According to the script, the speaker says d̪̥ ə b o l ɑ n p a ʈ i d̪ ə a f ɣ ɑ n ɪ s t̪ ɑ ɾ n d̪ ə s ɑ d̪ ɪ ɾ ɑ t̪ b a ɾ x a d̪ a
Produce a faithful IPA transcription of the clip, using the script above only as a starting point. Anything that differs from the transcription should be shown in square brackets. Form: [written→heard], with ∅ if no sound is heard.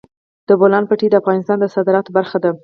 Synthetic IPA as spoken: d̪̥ ə b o l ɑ n p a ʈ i d̪ ə a f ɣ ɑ n ɪ s t̪ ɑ [ɾ→∅] n d̪ ə s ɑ d̪ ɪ ɾ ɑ t̪ b a ɾ x a d̪ a